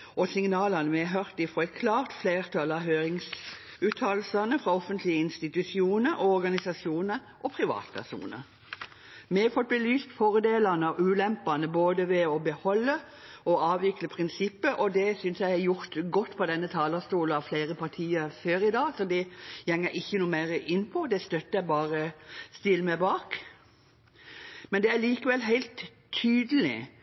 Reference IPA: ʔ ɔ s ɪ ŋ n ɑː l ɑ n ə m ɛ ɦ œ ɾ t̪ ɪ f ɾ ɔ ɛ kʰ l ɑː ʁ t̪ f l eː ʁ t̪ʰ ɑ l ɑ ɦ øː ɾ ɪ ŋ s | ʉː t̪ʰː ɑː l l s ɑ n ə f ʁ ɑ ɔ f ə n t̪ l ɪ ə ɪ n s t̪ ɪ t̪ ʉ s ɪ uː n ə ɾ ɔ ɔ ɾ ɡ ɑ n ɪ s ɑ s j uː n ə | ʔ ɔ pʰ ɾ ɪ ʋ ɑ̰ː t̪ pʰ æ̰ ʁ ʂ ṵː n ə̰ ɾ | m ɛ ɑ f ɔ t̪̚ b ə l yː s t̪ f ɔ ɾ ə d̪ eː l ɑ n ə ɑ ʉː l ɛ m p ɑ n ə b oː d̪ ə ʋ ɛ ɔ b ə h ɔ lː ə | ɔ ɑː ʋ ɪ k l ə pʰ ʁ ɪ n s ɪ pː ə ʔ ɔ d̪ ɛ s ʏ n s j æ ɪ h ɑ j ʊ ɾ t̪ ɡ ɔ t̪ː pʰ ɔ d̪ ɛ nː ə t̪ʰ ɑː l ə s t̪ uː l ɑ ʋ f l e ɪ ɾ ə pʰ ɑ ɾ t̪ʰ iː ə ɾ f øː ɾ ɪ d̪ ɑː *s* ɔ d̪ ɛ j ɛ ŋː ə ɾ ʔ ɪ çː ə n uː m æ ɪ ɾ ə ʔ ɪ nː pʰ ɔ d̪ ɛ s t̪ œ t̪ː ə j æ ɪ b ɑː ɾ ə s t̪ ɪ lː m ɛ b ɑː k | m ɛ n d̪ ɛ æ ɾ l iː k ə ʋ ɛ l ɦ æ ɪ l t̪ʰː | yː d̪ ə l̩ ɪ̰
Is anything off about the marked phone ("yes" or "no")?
no